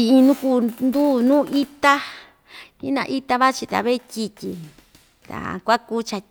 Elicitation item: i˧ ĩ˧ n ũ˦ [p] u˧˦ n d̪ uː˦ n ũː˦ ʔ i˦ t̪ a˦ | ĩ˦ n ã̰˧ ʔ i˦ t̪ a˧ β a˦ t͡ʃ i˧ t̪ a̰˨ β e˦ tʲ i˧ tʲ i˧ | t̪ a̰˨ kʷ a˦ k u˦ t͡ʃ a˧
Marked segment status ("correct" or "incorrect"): incorrect